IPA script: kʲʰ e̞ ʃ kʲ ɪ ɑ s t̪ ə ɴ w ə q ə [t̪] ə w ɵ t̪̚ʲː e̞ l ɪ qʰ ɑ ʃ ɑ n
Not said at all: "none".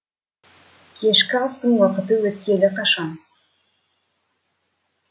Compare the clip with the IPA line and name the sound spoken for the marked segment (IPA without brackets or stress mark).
t̪